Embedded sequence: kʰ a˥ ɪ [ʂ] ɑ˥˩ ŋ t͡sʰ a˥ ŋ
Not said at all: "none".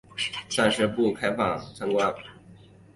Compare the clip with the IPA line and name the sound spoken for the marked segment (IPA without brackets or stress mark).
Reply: f